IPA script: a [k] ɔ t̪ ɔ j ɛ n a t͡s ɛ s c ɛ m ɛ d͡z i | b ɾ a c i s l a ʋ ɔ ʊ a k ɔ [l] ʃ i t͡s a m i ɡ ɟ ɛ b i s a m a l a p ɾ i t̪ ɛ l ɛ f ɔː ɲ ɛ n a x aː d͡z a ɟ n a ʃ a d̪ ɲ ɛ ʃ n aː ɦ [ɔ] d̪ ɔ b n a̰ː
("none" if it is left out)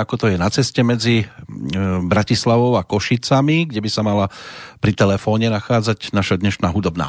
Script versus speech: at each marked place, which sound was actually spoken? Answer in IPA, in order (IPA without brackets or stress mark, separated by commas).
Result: k, none, u